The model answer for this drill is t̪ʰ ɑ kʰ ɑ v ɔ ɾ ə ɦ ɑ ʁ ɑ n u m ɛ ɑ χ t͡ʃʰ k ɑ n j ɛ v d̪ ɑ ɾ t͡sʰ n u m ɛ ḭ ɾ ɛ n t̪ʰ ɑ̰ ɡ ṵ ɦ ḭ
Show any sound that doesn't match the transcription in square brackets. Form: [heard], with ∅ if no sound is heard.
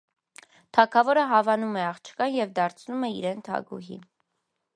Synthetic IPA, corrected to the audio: t̪ʰ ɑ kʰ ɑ v ɔ ɾ ə ɦ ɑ [v] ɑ n u m ɛ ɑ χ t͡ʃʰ k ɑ n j ɛ v d̪ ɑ ɾ t͡sʰ n u m ɛ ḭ ɾ ɛ n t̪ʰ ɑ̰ ɡ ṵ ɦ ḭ